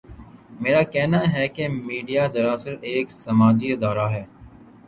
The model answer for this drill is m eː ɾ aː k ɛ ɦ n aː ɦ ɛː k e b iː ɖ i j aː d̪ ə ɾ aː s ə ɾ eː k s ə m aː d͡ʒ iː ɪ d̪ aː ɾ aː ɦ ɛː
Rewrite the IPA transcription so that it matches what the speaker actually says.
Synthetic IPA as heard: m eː ɾ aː k ɛ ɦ n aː ɦ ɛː k e m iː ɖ i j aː d̪ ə ɾ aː s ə ɾ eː k s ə m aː d͡ʒ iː ɪ d̪ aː ɾ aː ɦ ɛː